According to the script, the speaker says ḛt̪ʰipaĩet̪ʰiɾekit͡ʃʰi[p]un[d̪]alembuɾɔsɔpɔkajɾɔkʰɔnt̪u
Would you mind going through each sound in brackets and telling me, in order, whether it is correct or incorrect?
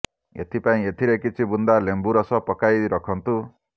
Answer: incorrect: b, correct

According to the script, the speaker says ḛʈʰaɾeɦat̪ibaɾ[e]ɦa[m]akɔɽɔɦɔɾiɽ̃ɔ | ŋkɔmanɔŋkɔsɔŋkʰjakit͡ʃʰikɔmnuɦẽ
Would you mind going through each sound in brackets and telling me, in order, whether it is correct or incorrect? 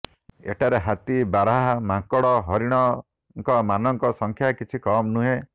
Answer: incorrect: a, correct

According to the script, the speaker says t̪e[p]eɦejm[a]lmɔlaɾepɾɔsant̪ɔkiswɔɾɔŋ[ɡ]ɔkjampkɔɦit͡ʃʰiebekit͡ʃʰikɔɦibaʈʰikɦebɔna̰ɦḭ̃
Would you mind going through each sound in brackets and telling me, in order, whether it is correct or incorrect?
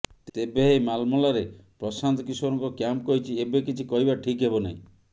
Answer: incorrect: b, correct, incorrect: k

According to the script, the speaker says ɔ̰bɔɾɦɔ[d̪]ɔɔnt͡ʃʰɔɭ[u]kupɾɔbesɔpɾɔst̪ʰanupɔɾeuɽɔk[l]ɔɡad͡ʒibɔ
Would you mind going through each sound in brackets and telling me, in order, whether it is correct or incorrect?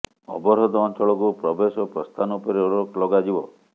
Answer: correct, incorrect: ɔ, correct

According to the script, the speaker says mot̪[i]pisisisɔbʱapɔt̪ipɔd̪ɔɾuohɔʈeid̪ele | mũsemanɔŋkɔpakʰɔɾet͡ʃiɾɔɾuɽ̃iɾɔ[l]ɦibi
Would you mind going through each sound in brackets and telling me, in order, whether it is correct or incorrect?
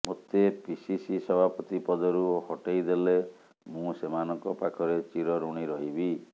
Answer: incorrect: e, incorrect: none

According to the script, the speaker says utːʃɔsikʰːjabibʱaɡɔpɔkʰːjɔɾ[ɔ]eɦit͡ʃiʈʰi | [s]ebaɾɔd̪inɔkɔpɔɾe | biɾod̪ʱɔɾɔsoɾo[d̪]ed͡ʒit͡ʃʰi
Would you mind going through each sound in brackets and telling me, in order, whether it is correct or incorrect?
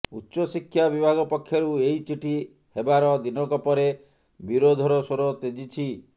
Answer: incorrect: u, incorrect: h, incorrect: t̪

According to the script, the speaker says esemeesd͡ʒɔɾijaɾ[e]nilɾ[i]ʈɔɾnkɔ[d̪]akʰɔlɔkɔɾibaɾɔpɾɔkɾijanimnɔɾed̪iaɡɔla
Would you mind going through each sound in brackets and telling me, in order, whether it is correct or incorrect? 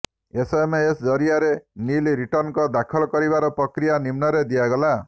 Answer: correct, correct, correct

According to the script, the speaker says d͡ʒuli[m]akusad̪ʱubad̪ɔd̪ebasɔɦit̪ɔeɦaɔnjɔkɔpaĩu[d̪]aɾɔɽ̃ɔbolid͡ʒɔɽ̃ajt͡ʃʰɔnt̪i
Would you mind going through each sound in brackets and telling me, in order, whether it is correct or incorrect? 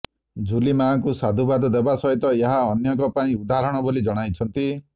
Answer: correct, correct

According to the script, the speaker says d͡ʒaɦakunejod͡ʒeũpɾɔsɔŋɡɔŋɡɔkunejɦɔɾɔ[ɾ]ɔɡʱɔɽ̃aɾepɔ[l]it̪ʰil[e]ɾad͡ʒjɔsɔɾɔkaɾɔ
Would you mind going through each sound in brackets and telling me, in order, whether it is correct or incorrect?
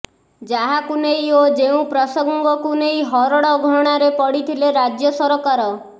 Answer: incorrect: ɽ, incorrect: ɽ, correct

